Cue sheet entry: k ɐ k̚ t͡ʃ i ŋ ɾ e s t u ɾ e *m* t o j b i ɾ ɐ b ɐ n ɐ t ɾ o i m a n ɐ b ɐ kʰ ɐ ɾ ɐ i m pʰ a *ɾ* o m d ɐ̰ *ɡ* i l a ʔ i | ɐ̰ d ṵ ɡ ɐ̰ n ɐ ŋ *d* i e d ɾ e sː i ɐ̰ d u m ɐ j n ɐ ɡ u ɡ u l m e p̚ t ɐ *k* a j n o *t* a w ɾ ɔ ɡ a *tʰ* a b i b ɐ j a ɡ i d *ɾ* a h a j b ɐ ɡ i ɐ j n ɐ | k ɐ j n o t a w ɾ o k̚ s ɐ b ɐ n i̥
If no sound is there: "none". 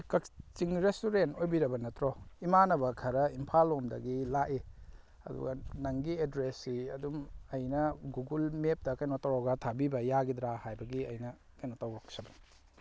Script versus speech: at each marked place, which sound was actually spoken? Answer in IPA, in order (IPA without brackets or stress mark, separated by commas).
n, l, ɡ, ɡ, k, t, tʰ, ɾ